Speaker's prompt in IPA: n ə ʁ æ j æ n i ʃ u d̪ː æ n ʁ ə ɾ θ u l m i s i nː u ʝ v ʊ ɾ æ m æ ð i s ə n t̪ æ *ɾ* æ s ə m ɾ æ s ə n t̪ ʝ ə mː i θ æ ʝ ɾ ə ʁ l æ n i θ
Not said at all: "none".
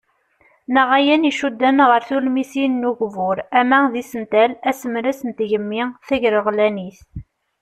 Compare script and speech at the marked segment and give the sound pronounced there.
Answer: l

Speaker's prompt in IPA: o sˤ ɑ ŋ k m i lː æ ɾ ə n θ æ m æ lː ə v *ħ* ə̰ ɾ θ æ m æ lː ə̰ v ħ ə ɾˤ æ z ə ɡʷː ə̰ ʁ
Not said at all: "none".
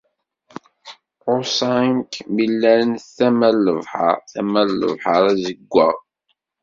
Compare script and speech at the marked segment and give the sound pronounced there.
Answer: ħ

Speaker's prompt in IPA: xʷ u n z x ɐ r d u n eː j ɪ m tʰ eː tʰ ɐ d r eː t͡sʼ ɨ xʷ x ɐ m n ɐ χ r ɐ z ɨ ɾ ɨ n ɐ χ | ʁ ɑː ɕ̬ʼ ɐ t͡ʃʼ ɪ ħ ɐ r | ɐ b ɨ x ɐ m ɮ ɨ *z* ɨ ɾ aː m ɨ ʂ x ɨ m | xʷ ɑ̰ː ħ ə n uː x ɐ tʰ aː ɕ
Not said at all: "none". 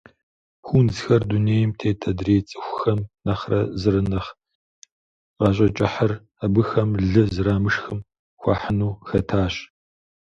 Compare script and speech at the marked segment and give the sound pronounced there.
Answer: z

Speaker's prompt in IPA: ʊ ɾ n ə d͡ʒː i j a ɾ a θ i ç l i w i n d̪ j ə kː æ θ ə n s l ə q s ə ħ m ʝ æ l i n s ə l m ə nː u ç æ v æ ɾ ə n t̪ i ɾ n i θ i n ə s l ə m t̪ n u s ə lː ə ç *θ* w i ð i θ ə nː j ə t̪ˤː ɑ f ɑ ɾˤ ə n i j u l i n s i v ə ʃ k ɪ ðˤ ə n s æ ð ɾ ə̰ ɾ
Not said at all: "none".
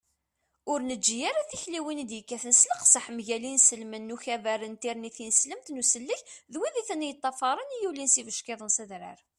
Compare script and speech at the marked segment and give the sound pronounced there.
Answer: ð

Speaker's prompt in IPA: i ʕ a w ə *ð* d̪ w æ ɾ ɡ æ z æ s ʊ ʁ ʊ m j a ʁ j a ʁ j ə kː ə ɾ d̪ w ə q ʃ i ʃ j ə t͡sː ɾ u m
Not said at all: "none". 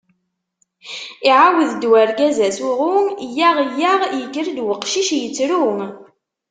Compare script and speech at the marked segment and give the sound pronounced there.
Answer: ð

